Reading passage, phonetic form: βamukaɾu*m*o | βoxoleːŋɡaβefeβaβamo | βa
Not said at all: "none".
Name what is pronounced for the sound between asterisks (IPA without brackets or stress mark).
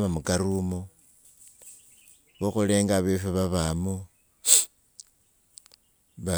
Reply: m